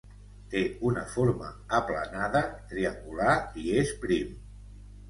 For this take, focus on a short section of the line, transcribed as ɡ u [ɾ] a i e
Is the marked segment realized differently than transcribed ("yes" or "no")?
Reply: yes